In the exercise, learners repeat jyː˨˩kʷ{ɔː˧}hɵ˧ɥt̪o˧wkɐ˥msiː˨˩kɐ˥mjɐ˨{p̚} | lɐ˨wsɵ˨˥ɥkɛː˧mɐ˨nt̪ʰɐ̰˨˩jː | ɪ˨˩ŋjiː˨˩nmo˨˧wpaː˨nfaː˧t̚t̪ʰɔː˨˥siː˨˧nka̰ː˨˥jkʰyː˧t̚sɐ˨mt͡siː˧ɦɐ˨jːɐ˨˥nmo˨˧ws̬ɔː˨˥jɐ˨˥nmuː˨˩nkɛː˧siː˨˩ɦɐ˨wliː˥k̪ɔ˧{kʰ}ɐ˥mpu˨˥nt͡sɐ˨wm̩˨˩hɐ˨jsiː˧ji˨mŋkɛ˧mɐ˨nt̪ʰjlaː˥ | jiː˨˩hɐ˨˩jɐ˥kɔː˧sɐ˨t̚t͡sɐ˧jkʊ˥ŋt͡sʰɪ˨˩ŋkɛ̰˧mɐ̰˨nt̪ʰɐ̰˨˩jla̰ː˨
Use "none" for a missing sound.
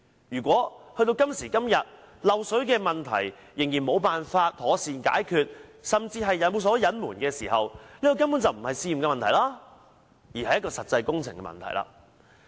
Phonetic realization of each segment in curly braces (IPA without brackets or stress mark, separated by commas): ɔː˨˥, t̚, k